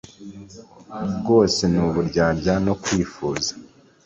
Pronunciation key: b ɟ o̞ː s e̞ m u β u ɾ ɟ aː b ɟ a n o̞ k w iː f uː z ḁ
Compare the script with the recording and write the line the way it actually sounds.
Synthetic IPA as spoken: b ɡ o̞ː s e̞ n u β u ɾ ɟ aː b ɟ a n o̞ k w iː f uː z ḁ